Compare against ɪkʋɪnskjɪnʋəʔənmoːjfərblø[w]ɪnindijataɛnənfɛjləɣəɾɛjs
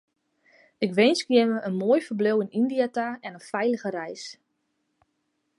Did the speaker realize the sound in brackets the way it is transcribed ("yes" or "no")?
yes